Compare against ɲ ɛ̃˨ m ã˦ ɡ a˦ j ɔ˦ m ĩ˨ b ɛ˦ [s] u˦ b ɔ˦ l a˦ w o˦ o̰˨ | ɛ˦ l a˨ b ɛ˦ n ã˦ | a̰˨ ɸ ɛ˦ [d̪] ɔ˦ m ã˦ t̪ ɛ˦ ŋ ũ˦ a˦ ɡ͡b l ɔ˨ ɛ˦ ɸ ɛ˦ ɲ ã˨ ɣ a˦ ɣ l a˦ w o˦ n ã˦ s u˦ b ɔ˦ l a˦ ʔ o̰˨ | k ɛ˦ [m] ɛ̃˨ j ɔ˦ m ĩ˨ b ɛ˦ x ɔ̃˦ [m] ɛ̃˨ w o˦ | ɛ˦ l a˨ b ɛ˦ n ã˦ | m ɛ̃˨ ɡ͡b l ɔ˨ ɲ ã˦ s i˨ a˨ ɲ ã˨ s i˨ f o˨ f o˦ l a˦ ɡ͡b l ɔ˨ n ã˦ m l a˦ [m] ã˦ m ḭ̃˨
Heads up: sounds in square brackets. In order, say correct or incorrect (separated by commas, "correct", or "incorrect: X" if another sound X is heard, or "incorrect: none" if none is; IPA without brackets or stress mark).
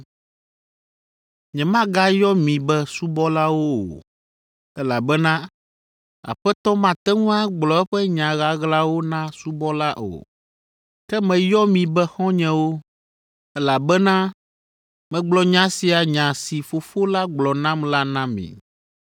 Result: correct, incorrect: t̪, correct, incorrect: ɲ, incorrect: n